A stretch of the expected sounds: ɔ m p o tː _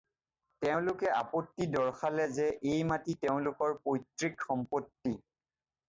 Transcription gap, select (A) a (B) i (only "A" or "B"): B